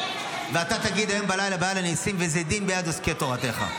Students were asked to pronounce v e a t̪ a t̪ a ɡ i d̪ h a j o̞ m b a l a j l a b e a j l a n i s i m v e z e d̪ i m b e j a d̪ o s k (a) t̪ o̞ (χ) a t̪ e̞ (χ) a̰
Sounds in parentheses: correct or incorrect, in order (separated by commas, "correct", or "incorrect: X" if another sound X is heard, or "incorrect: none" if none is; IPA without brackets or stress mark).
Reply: incorrect: e, incorrect: ʁ, correct